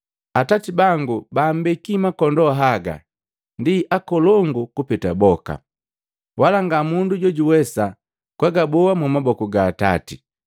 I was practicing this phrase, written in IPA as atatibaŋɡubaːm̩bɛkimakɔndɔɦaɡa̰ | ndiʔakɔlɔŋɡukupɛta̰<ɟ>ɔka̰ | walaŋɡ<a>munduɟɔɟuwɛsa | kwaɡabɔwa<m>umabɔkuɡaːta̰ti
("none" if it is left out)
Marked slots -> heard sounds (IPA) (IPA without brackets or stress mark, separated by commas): b, a, m